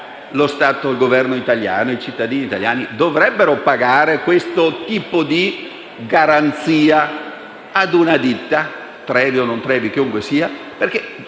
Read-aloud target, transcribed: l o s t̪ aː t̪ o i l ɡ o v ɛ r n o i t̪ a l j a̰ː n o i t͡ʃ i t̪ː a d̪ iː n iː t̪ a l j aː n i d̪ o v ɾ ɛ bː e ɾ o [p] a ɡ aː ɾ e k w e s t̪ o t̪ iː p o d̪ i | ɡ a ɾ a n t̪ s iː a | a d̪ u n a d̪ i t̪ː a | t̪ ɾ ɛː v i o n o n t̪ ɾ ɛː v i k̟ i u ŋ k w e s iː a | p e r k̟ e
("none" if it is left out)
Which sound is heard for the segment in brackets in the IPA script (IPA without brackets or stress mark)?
p